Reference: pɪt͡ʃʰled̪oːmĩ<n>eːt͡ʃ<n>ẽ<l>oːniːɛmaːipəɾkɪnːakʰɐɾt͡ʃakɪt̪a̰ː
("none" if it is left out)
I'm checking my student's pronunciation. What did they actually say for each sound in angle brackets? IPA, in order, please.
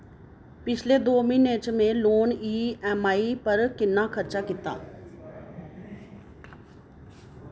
n, m, l

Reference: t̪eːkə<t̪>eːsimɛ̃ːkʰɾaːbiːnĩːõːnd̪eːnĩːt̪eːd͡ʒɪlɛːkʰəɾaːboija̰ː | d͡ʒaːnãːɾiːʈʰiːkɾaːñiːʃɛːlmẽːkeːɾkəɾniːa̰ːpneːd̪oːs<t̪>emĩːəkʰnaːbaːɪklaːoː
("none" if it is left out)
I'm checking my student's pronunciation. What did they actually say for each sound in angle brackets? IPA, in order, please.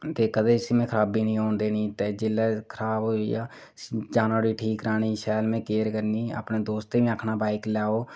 d̪, t̪

